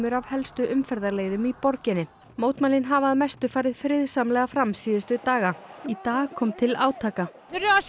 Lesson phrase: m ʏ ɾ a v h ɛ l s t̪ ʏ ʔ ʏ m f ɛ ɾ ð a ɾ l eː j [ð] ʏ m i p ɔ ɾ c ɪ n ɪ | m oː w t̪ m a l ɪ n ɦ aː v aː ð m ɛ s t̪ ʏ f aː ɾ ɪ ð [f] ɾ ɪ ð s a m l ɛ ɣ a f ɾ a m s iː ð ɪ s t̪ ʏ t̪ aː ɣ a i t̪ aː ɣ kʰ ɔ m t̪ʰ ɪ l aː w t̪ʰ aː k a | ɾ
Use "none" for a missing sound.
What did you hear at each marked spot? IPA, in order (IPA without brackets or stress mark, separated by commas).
ð, f